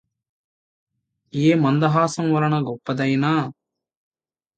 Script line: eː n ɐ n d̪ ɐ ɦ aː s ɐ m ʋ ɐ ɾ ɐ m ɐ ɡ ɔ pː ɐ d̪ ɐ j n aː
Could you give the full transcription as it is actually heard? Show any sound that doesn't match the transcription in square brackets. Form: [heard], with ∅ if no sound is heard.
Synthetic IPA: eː [m] ɐ n d̪ ɐ ɦ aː s ɐ m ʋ ɐ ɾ ɐ [ɳ] ɐ ɡ ɔ pː ɐ d̪ ɐ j n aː

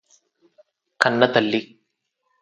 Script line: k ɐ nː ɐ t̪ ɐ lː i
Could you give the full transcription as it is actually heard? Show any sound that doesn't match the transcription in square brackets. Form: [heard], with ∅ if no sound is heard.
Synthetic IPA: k ɐ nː ɐ t̪ ɐ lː i

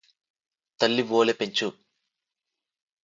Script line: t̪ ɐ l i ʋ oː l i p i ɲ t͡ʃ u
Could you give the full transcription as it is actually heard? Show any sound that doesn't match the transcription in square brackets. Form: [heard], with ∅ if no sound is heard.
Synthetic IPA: t̪ ɐ [lː] i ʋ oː l [e] p [e] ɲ t͡ʃ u

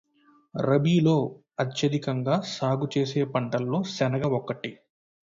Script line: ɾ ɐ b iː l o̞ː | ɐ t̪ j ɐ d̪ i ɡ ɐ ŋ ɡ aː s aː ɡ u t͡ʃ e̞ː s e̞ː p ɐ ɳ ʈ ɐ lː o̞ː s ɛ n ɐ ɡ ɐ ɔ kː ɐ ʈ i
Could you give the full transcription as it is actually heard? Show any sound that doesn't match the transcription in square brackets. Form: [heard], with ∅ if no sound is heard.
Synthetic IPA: ɾ ɐ b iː l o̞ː | ɐ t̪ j ɐ d̪ i [k] ɐ ŋ ɡ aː s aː ɡ u t͡ʃ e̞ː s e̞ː p ɐ ɳ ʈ ɐ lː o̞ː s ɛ n ɐ ɡ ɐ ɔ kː ɐ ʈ i

